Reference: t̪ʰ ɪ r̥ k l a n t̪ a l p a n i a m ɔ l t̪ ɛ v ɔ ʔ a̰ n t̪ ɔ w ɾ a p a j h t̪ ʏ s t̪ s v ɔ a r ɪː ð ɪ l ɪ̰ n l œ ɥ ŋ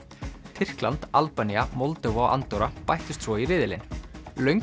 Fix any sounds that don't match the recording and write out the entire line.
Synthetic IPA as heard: t̪ʰ ɪ r̥ k l a n t̪ a l p a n i a m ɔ l t̪ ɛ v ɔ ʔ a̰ n t̪ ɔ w ɾ a p a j h t̪ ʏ s t̪ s v ɔ i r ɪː ð ɪ l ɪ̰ n l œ ɥ ŋ